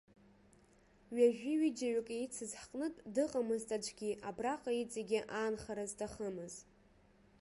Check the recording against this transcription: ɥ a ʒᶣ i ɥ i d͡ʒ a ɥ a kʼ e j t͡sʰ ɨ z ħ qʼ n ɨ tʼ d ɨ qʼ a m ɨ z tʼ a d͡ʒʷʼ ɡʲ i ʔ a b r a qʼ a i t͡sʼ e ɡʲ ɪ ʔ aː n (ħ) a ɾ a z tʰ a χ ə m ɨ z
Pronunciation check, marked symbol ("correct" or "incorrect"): incorrect